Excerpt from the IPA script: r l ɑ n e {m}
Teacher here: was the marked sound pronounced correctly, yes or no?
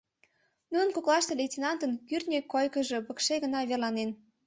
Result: no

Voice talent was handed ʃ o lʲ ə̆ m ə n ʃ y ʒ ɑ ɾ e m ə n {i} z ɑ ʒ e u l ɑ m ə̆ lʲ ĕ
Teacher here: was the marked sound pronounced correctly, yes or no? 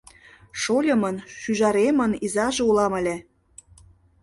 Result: yes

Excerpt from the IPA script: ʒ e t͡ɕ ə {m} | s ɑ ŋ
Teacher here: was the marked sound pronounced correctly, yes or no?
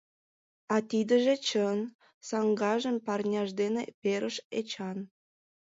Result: no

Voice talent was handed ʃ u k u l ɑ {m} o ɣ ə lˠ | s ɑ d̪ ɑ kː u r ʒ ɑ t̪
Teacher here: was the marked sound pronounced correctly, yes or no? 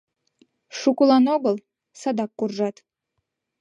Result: no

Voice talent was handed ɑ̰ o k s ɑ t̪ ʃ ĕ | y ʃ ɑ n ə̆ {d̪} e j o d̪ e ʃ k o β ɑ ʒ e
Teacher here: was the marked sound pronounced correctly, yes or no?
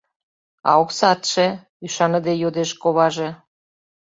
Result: yes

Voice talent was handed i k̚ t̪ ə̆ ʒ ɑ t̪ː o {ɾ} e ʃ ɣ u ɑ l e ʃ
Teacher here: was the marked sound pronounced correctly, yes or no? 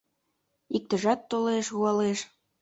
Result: no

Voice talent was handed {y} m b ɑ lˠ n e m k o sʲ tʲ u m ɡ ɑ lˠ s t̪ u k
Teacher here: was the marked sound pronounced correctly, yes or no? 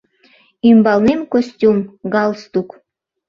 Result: no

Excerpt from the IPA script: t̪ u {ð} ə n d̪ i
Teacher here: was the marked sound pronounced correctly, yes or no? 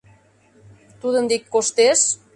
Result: yes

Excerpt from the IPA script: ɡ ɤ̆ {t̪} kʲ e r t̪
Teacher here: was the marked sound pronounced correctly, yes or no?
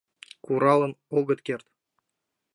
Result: yes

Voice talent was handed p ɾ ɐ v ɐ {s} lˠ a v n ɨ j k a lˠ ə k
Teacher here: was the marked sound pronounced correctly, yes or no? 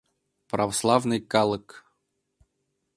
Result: yes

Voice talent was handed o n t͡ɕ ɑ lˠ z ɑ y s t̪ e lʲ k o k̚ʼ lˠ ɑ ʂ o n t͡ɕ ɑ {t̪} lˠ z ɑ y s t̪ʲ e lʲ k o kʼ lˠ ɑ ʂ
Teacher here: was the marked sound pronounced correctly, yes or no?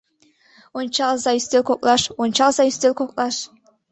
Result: no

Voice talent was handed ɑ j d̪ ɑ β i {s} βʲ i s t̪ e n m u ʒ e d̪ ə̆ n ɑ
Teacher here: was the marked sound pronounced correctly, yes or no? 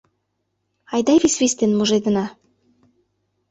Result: yes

